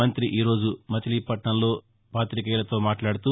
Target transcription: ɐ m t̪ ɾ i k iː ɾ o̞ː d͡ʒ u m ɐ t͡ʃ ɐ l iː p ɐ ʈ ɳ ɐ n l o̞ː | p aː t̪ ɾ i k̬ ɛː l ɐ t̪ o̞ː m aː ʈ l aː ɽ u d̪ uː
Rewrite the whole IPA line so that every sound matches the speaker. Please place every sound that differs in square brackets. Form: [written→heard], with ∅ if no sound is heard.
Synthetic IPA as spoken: ɐ [m→n] t̪ ɾ i [k→ʔ] iː ɾ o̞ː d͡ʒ u m ɐ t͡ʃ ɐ l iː p ɐ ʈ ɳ ɐ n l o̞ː | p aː t̪ ɾ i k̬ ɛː l ɐ t̪ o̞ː m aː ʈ l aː ɽ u [d̪→t̪] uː